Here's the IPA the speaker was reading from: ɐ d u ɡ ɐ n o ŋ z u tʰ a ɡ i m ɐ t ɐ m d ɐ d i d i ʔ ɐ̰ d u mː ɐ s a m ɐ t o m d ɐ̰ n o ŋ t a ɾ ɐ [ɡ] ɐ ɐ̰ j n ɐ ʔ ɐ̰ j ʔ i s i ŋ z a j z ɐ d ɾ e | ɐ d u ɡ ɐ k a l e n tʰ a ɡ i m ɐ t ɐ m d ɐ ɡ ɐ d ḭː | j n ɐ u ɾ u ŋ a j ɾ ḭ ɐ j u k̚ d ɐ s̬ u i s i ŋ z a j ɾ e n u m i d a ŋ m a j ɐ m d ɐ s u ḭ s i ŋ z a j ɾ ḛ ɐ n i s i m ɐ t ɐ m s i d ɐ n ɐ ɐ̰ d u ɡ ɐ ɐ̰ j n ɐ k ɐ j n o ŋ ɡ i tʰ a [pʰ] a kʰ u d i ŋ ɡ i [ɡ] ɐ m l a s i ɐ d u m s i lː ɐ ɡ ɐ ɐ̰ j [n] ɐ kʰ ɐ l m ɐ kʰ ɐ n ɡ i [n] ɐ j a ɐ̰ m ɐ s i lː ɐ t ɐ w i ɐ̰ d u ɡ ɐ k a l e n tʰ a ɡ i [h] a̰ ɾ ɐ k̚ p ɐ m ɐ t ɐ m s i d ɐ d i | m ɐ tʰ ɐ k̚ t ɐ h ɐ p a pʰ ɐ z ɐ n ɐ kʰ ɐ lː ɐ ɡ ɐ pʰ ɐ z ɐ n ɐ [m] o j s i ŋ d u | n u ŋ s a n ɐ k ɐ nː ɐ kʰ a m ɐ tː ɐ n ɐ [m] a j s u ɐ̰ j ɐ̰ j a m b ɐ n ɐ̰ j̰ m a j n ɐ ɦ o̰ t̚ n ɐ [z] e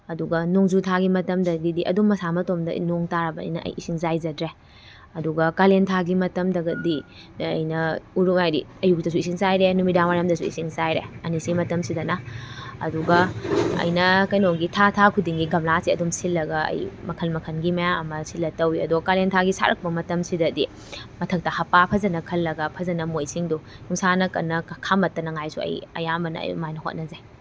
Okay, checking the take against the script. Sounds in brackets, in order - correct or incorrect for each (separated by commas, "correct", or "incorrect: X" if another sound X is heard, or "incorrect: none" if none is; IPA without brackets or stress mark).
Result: incorrect: b, incorrect: tʰ, correct, incorrect: m, incorrect: m, incorrect: s, correct, incorrect: ŋ, correct